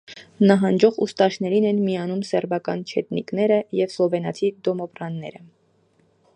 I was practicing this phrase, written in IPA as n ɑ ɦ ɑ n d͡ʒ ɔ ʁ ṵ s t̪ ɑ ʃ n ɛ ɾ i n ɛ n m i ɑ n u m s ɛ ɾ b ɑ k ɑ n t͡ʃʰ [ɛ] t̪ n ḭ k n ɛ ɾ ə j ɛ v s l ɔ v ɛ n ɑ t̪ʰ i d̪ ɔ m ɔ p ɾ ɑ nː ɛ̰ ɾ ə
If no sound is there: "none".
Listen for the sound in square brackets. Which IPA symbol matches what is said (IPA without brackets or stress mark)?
ɛ